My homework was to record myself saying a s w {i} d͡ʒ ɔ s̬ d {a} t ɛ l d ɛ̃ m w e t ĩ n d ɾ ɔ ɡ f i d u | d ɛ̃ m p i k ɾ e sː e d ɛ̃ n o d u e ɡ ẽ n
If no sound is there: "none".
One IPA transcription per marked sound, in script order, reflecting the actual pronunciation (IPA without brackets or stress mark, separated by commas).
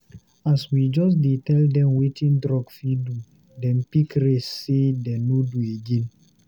i, e